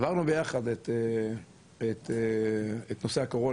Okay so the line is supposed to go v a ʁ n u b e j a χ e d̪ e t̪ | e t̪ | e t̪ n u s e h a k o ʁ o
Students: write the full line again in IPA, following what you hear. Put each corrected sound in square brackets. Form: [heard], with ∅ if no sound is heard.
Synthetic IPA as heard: v a ʁ n u b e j a χ [a] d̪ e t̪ | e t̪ | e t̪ n [o] s e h a k o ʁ o